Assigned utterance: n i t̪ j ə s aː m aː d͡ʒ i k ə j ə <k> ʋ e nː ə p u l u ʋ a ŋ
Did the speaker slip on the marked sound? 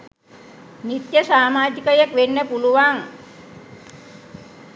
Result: no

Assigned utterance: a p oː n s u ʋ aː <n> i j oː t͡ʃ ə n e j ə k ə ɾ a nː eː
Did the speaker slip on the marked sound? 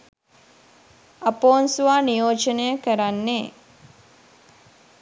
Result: no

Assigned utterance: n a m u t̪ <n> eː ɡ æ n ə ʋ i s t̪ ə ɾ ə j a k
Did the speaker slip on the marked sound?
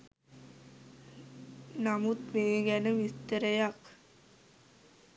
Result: yes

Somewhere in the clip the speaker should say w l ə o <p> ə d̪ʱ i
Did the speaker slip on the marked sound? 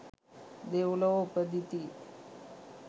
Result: no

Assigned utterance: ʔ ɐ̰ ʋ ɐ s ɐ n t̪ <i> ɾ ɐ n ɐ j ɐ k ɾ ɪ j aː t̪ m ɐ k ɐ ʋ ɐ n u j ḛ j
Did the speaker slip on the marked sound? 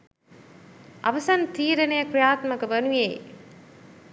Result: yes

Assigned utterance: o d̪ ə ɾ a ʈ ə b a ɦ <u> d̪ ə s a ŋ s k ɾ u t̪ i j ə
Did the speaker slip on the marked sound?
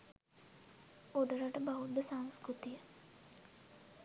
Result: no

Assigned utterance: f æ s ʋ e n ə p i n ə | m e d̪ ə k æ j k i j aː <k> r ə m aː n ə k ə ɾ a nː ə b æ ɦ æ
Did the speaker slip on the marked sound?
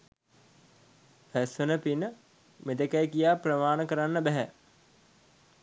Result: yes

